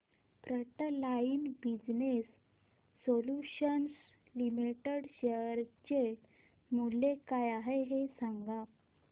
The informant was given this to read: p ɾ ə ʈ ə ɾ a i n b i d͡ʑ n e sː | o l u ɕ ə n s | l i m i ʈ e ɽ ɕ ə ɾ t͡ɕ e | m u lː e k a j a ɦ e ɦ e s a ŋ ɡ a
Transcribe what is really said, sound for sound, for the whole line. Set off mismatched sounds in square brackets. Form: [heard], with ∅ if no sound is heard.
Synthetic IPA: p ɾ ə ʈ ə [l] a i n b i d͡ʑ n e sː | o l u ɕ ə n s | l i m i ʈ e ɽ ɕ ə ɾ t͡ɕ e | m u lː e k a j a ɦ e ɦ e s a ŋ ɡ a